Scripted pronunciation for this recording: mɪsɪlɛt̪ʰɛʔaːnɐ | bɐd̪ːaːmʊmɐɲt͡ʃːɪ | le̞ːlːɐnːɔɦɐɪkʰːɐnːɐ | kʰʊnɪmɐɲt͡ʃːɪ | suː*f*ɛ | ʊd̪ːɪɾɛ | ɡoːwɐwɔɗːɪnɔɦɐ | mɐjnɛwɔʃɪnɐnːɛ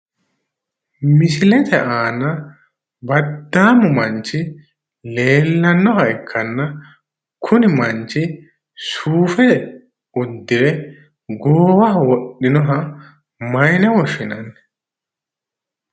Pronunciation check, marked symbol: correct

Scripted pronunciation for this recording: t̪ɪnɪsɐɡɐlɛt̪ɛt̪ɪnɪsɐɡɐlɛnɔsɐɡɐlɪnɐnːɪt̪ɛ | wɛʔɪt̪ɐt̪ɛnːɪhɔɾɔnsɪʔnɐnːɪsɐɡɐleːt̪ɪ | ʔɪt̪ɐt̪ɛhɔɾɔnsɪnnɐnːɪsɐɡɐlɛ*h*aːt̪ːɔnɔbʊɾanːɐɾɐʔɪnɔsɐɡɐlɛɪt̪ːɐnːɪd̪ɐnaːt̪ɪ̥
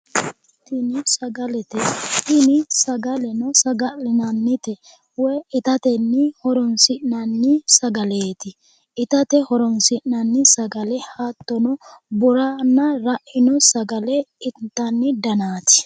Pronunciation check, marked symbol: correct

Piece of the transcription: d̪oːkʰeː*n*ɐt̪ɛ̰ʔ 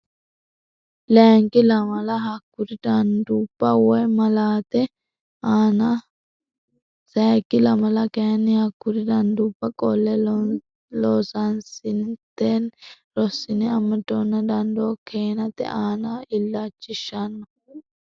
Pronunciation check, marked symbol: correct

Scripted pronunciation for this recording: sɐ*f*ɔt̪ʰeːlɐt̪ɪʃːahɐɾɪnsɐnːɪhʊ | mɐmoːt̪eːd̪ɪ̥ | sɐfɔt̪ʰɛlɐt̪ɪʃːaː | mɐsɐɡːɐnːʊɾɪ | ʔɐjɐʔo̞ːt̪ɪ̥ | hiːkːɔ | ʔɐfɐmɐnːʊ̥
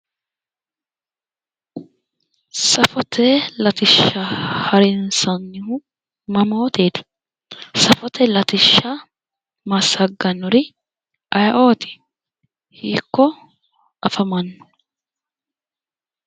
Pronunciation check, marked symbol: correct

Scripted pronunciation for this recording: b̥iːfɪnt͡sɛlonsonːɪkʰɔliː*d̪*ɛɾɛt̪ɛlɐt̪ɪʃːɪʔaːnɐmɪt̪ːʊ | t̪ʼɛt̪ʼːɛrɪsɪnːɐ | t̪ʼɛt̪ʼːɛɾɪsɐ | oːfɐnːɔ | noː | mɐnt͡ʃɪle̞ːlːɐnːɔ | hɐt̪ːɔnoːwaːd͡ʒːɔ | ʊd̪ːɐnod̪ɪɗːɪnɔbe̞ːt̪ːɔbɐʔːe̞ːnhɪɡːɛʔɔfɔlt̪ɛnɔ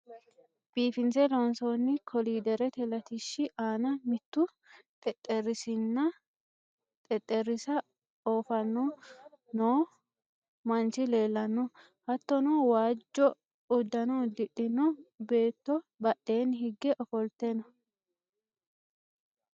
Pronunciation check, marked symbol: correct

